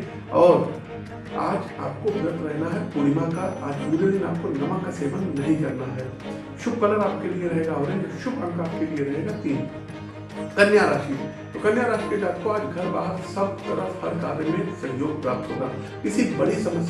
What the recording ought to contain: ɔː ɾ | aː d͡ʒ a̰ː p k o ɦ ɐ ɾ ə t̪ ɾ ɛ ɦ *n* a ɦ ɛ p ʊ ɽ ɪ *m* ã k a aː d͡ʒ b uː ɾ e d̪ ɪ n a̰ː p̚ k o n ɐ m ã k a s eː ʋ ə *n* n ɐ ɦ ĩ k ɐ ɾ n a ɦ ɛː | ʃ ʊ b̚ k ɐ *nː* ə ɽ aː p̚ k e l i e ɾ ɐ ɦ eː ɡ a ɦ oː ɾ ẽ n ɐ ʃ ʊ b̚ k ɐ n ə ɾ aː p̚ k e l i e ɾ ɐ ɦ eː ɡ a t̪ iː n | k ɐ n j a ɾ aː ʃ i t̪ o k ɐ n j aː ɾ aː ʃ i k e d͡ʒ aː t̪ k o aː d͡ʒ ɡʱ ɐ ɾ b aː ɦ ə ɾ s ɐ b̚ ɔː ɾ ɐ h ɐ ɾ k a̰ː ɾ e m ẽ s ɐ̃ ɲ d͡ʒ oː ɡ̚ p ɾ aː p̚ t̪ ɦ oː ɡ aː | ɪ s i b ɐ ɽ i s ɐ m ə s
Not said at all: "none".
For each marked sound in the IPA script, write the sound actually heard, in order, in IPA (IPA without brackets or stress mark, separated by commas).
n, m, n, n